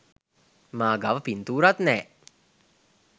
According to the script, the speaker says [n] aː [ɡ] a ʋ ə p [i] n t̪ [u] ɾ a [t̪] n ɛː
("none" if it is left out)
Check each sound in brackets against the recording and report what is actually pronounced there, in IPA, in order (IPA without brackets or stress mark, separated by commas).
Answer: m, ɡ, i, uː, t̪